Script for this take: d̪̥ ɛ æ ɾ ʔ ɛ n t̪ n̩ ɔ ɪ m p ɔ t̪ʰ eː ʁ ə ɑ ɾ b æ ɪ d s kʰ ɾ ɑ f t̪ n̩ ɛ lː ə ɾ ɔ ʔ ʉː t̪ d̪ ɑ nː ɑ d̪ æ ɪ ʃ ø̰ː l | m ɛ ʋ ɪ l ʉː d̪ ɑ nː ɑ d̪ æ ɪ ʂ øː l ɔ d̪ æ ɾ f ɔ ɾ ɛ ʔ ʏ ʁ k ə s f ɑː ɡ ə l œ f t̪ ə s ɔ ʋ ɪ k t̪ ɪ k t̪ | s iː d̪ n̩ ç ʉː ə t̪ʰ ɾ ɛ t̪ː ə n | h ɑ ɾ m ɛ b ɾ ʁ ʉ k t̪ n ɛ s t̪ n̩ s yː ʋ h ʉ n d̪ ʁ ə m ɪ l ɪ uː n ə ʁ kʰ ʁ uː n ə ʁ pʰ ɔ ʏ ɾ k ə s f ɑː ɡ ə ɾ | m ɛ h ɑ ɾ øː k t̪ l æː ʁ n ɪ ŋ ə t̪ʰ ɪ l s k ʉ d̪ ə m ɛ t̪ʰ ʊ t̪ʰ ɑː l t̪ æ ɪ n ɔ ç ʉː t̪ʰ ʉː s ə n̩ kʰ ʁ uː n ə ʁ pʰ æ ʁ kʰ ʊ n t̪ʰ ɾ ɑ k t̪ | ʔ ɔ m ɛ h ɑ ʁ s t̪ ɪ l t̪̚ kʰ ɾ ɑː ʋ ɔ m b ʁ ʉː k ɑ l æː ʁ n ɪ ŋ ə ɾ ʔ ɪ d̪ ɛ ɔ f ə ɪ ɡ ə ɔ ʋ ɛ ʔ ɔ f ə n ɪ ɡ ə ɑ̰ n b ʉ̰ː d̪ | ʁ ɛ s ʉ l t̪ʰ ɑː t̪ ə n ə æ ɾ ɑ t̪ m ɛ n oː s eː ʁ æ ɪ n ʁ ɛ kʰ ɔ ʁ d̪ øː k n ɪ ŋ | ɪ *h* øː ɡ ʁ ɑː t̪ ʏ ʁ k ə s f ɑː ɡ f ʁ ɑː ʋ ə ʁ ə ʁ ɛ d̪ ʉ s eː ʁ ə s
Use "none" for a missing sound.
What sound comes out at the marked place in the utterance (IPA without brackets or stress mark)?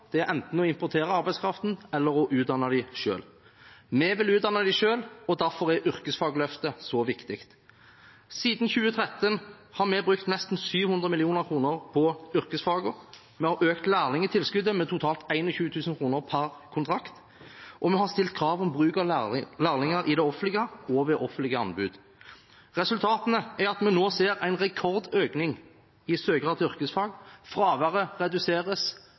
s